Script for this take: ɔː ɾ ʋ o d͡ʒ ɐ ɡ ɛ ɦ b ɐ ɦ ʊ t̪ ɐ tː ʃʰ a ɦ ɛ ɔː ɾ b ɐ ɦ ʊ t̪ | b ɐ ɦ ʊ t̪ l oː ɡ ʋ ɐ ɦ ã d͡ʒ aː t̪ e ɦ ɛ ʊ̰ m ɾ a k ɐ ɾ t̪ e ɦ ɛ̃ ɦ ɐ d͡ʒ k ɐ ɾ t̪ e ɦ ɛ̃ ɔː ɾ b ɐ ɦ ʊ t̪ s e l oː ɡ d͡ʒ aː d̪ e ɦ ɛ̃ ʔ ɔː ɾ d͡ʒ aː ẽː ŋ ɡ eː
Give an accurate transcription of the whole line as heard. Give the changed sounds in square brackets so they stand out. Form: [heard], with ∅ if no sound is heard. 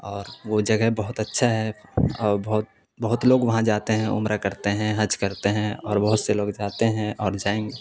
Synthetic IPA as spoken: ɔː ɾ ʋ o d͡ʒ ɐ ɡ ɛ ɦ b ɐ ɦ ʊ t̪ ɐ tː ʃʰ a ɦ ɛ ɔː ɾ b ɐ ɦ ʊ t̪ | b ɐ ɦ ʊ t̪ l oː ɡ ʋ ɐ ɦ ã d͡ʒ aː t̪ e ɦ [ɛ̃] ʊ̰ m ɾ a k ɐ ɾ t̪ e ɦ ɛ̃ ɦ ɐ d͡ʒ k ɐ ɾ t̪ e ɦ ɛ̃ ɔː ɾ b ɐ ɦ ʊ t̪ s e l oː ɡ d͡ʒ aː [t̪] e ɦ ɛ̃ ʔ ɔː ɾ d͡ʒ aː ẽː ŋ ɡ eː

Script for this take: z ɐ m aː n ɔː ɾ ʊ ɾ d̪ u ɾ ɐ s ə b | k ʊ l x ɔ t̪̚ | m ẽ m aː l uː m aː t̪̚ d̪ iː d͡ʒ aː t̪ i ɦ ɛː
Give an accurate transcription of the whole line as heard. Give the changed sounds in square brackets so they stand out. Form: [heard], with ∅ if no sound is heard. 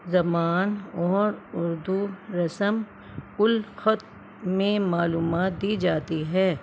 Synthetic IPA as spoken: z ɐ m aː n ɔː ɾ ʊ ɾ d̪ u ɾ ɐ s ə [m] | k ʊ l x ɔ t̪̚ | m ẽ m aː l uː m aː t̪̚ d̪ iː d͡ʒ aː t̪ i ɦ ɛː

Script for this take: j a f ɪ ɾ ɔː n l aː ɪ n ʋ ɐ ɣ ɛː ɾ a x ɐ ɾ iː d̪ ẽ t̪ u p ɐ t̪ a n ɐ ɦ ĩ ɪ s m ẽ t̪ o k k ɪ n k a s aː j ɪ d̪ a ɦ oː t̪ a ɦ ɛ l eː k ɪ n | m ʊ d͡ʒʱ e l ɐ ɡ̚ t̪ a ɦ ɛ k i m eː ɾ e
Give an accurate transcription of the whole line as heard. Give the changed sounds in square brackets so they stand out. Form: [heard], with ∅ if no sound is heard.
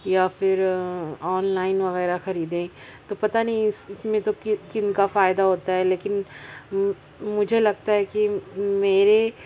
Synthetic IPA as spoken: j a f ɪ ɾ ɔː n l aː ɪ n ʋ ɐ ɣ ɛː ɾ a x ɐ ɾ iː d̪ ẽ t̪ [o] p ɐ t̪ a n ɐ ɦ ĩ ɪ s m ẽ t̪ o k k ɪ n k a [f] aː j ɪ d̪ a ɦ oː t̪ a ɦ ɛ l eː k ɪ n | m ʊ d͡ʒʱ e l ɐ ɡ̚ t̪ a ɦ ɛ k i m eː ɾ e

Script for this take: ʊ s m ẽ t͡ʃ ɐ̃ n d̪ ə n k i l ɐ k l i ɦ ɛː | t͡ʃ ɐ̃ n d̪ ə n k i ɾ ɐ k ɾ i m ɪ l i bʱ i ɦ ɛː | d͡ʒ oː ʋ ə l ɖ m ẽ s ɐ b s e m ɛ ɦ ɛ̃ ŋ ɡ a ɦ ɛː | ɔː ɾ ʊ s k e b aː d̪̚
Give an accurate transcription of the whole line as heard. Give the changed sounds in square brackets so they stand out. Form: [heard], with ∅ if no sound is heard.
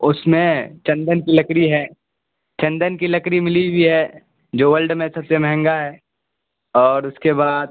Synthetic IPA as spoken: ʊ s m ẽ t͡ʃ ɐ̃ n d̪ ə n k i l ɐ k [ɾ] i ɦ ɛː | t͡ʃ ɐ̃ n d̪ ə n k i [l] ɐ k ɾ i m ɪ l i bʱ i ɦ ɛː | d͡ʒ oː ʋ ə l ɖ m ẽ s ɐ b s e m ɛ ɦ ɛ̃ ŋ ɡ a ɦ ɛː | ɔː ɾ ʊ s k e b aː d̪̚

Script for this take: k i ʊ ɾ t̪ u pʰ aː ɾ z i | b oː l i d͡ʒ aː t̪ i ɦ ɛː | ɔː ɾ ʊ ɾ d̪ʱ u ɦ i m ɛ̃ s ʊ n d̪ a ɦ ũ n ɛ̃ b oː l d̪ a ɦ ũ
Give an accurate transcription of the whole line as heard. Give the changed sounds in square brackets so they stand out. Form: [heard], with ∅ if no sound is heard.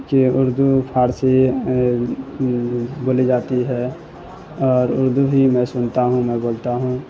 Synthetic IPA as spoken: k i ʊ ɾ [d̪] u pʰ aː ɾ [s] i | b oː l i d͡ʒ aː t̪ i ɦ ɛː | ɔː ɾ ʊ ɾ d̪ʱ u ɦ i m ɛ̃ s ʊ n [t̪] a ɦ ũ [m] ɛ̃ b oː l [t̪] a ɦ ũ

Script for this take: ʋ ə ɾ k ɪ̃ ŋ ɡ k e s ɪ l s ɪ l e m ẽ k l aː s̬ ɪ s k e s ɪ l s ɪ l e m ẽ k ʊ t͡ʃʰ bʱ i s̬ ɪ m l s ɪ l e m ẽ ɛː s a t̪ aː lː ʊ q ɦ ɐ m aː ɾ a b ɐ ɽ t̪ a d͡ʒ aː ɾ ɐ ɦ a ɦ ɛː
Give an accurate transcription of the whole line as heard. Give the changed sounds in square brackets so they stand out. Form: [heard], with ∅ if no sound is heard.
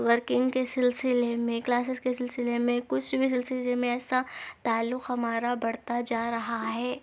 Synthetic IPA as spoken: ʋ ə ɾ k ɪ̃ ŋ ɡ k e s ɪ l s ɪ l e m ẽ k l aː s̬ ɪ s k e s ɪ l s ɪ l e m ẽ k ʊ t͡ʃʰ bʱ i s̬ ɪ [∅] l s ɪ l e m ẽ ɛː s a t̪ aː lː ʊ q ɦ ɐ m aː ɾ a b ɐ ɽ t̪ a d͡ʒ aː ɾ ɐ ɦ a ɦ ɛː

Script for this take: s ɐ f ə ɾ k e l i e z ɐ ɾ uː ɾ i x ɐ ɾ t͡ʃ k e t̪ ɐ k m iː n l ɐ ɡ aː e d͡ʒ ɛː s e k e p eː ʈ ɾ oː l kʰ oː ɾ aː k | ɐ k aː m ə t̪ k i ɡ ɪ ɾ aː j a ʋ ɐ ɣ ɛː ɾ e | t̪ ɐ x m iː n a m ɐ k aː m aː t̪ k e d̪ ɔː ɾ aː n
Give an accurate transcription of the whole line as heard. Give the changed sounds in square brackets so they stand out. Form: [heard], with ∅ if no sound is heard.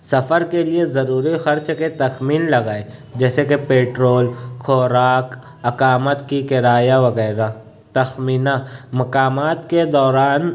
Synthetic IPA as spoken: s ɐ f ə ɾ k e l i e z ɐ ɾ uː ɾ i x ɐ ɾ t͡ʃ k e t̪ ɐ [x] m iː n l ɐ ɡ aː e d͡ʒ ɛː s e k e p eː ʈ ɾ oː l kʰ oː ɾ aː k | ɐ k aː m ə t̪ k i [k] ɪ ɾ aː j a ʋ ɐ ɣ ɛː ɾ [a] | t̪ ɐ x m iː n a m ɐ k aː m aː t̪ k e d̪ ɔː ɾ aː n

